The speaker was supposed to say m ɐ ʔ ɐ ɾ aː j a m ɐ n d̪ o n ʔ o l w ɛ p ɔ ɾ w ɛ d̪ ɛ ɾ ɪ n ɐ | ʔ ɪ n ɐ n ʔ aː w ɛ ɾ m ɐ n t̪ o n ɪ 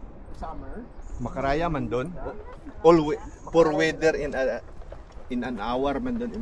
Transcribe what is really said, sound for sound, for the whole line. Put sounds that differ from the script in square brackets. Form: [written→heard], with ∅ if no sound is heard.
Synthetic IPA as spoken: m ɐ [ʔ→k] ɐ ɾ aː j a m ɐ n d̪ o n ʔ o l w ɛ p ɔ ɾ w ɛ d̪ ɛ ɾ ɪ n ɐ | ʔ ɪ n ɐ n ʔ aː w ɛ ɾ m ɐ n [t̪→d̪] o n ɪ

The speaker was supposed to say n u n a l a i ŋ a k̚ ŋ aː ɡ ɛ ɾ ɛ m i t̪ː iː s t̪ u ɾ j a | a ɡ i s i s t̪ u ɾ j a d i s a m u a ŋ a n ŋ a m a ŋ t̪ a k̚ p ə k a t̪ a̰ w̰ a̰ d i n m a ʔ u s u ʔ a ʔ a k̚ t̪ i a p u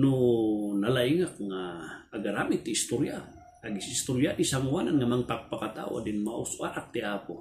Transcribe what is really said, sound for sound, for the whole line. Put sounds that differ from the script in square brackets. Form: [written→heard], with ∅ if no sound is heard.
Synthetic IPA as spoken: n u n a l a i ŋ a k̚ ŋ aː ɡ [ɛ→a] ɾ [ɛ→a] m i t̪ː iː s t̪ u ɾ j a | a ɡ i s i s t̪ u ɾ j a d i s a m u a [ŋ→n] a n ŋ a m a ŋ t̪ a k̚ p [ə→a] k a t̪ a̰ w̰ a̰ d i n m a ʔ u s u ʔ a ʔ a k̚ t̪ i a p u

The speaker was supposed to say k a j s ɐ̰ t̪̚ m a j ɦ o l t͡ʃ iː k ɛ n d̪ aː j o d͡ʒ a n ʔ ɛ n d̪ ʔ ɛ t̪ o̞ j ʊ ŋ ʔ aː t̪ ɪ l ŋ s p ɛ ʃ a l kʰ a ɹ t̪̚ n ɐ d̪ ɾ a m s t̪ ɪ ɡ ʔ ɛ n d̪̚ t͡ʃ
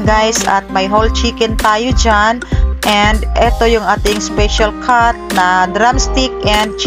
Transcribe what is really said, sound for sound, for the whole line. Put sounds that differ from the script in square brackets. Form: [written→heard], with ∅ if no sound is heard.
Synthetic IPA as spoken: [k→ɡ] a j s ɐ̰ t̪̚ m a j ɦ o l t͡ʃ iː k ɛ n [d̪→t̪] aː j o d͡ʒ a n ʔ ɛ n d̪ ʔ ɛ t̪ o̞ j ʊ ŋ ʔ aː t̪ ɪ [l→∅] ŋ s p ɛ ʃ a l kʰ a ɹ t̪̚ n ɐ d̪ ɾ a m s t̪ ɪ [ɡ→k] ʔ ɛ n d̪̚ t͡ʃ

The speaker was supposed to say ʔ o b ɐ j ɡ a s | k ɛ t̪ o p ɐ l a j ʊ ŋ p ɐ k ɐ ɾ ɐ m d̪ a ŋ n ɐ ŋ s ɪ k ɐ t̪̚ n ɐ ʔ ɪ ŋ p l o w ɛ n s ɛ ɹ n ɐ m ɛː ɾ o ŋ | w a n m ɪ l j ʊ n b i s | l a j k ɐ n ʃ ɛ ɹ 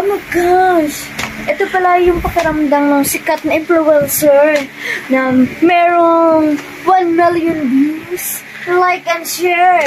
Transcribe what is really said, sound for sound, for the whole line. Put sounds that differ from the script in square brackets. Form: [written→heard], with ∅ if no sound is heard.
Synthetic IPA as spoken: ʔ o [b→m] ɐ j ɡ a [s→ʃ] | [k→ʔ] ɛ t̪ o p ɐ l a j ʊ ŋ p ɐ k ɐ ɾ ɐ m d̪ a ŋ n ɐ ŋ s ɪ k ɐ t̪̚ n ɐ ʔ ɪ [ŋ→m] p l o w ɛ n s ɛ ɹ n ɐ m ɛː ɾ o ŋ | w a n m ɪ l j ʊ n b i s | l a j k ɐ n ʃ ɛ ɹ

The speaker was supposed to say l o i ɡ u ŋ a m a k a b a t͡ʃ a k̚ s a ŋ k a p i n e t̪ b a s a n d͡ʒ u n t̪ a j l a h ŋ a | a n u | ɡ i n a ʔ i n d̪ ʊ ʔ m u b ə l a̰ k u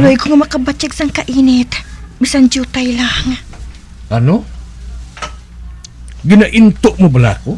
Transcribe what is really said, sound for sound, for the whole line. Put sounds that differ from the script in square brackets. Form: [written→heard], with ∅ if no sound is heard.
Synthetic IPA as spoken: l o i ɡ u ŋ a m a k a b a t͡ʃ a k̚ s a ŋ k a [p→ʔ] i n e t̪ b [a→i] s a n d͡ʒ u [n→∅] t̪ a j l a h ŋ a | a n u | ɡ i n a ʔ i n [d̪→t̪] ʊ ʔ m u b ə l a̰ k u

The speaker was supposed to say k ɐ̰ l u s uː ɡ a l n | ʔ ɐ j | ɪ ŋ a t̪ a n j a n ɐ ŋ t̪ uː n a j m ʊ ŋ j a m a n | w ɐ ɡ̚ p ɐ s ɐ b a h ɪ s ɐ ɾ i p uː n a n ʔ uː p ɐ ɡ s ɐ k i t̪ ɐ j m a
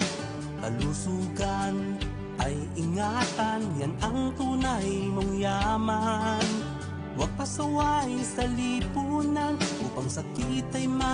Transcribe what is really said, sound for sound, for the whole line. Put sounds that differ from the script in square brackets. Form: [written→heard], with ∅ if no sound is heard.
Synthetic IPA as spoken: k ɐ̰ l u s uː ɡ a [l→∅] n | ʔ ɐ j | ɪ ŋ a t̪ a n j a n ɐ ŋ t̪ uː n a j m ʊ ŋ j a m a n | w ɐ ɡ̚ p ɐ s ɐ [b→w] a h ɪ s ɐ [ɾ→l] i p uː n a n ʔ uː p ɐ [ɡ→ŋ] s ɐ k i t̪ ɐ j m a

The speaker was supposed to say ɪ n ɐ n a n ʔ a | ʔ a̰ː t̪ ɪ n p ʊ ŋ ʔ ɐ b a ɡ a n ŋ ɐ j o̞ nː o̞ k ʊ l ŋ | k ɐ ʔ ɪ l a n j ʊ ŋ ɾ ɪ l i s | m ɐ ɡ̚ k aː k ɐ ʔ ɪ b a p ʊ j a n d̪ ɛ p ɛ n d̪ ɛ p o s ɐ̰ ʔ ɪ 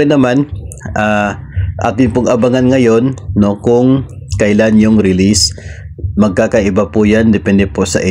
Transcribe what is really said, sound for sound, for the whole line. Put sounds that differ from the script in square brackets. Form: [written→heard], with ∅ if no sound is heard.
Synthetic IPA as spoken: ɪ n ɐ [n→m] a n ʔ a | ʔ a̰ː t̪ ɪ n p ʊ ŋ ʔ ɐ b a [ɡ→ŋ] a n ŋ ɐ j o̞ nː o̞ k ʊ [l→∅] ŋ | k ɐ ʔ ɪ l a n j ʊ ŋ ɾ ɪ l i s | m ɐ ɡ̚ k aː k ɐ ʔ ɪ b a p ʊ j a n d̪ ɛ p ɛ n d̪ ɛ p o s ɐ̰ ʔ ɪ

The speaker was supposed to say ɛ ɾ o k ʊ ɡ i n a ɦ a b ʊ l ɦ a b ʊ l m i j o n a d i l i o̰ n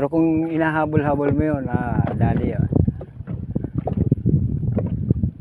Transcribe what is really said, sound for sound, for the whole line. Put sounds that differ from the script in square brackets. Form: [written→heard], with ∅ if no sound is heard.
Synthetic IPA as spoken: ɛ ɾ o k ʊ [ɡ→ŋ] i n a ɦ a b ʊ l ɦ a b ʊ l m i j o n a d [i→a] l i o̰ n

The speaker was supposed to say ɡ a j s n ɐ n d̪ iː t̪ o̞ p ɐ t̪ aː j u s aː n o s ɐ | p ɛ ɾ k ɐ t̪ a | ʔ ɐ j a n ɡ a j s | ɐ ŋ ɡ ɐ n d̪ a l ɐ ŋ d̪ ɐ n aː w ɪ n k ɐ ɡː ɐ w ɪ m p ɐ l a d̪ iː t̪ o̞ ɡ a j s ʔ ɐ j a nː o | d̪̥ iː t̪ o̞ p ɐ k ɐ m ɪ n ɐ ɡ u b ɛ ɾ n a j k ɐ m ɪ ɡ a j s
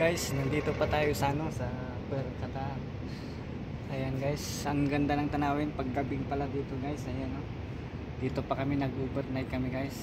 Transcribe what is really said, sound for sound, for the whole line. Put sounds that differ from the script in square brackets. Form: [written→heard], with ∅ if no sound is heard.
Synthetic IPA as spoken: ɡ a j s n ɐ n d̪ iː t̪ o̞ p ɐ t̪ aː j [u→o] s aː n o s ɐ | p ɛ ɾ k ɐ t̪ a | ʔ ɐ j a n ɡ a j s | ɐ ŋ ɡ ɐ n d̪ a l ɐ ŋ [d̪→t̪] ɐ n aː w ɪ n [k→p] ɐ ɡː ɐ [w→b] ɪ [m→ŋ] p ɐ l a d̪ iː t̪ o̞ ɡ a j s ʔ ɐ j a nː o | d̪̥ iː t̪ o̞ p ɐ k ɐ m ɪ n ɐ ɡ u b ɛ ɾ n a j k ɐ m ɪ ɡ a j s

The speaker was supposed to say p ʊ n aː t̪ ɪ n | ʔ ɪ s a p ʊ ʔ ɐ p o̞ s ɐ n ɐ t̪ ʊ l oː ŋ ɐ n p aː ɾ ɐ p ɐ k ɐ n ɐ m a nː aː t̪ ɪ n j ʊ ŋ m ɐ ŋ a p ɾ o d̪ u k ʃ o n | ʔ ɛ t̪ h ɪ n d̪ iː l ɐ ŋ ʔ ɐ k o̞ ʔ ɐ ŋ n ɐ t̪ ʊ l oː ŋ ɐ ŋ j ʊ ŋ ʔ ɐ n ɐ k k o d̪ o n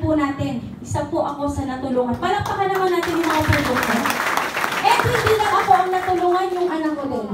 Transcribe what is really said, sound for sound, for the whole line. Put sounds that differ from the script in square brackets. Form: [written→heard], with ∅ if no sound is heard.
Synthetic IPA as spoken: p ʊ n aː t̪ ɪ n | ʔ ɪ s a p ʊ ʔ ɐ [p→k] o̞ s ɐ n ɐ t̪ ʊ l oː ŋ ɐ n p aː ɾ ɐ p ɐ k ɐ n ɐ m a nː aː t̪ ɪ n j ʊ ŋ m ɐ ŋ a p ɾ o d̪ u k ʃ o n | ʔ ɛ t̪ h ɪ n d̪ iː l ɐ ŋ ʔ ɐ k o̞ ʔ ɐ ŋ n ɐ t̪ ʊ l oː ŋ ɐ [ŋ→n] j ʊ ŋ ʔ ɐ n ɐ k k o d̪ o n

